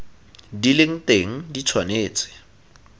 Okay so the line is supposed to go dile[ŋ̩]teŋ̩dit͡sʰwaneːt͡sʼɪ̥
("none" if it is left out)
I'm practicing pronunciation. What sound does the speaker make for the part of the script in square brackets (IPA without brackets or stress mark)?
ŋ̩